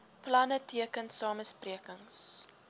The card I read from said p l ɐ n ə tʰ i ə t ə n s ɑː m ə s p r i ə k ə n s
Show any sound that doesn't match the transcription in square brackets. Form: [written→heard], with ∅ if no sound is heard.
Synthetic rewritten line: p l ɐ n ə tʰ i ə [t→k] ə n s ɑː m ə s p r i ə k ə [n→ŋ] s